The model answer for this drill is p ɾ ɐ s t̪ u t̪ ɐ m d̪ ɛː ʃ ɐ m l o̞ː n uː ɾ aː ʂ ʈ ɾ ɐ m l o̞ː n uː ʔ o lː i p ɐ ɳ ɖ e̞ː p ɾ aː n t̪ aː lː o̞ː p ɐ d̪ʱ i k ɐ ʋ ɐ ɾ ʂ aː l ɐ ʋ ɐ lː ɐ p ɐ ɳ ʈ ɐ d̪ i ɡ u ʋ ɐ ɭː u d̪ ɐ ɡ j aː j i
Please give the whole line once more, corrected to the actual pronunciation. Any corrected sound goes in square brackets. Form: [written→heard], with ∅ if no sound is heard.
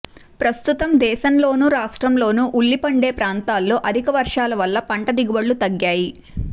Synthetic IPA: p ɾ ɐ s t̪ u t̪ ɐ m d̪ ɛː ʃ ɐ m l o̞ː n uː ɾ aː ʂ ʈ ɾ ɐ m l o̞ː n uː ʔ [o→u] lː i p ɐ ɳ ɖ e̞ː p ɾ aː n t̪ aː lː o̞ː [p→ʔ] ɐ d̪ʱ i k ɐ ʋ ɐ ɾ ʂ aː l ɐ ʋ ɐ lː ɐ p ɐ ɳ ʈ ɐ d̪ i ɡ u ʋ ɐ ɭː u [d̪→t̪] ɐ ɡ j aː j i

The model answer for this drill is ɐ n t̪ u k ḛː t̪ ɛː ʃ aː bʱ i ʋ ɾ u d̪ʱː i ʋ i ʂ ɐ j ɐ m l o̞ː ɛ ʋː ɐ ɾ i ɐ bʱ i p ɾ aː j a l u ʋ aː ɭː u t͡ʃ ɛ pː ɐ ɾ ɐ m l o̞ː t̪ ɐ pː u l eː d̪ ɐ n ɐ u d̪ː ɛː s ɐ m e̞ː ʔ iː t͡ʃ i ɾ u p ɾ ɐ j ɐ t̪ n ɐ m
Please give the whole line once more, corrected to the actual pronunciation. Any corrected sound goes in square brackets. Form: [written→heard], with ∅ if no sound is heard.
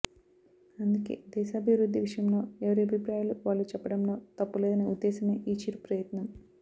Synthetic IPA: ɐ n [t̪→d̪] u k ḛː [t̪→d̪] ɛː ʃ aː bʱ i ʋ ɾ u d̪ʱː i ʋ i ʂ ɐ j ɐ m l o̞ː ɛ [ʋː→ʋ] ɐ ɾ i ɐ bʱ i p ɾ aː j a l u ʋ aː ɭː u t͡ʃ ɛ pː ɐ [ɾ→ɽ] ɐ m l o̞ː t̪ ɐ pː u l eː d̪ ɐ n ɐ u d̪ː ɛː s ɐ m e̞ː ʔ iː t͡ʃ i ɾ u p ɾ ɐ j ɐ t̪ n ɐ m

